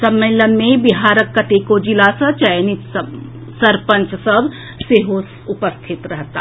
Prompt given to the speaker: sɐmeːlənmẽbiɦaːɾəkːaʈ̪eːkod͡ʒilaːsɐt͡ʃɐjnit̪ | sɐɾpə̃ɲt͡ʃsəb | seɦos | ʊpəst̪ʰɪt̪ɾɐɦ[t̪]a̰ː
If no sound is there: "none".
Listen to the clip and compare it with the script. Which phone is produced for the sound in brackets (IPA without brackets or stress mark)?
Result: t̪